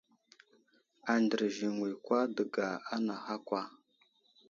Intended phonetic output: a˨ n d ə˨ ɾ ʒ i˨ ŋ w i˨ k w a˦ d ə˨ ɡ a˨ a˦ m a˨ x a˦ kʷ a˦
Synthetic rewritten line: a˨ n d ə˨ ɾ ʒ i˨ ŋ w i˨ k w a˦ d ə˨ ɡ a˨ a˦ n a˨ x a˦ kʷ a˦